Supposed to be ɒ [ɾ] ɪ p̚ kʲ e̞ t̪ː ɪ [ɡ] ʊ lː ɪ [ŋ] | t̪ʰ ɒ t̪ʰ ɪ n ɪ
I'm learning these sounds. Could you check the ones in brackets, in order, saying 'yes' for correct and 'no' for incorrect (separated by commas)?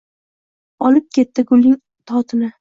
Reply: no, yes, yes